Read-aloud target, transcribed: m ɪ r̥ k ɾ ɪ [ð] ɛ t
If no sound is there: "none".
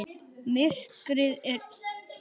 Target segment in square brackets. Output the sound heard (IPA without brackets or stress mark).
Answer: ð